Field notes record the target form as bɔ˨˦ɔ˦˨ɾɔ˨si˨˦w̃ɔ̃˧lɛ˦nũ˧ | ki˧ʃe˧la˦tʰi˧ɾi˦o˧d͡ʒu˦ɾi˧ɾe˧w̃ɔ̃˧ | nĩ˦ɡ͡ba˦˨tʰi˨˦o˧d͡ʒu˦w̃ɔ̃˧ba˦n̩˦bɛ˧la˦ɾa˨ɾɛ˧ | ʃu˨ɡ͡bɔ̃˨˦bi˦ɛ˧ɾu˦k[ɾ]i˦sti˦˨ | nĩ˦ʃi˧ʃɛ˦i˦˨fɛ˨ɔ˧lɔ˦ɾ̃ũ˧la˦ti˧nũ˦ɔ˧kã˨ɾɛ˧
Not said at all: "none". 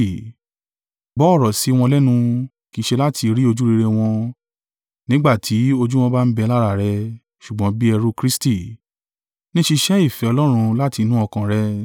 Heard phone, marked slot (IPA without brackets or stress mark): ɾ